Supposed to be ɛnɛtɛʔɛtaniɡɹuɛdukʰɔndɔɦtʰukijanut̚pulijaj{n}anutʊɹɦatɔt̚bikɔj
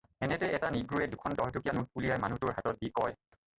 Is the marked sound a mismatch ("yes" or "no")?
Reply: yes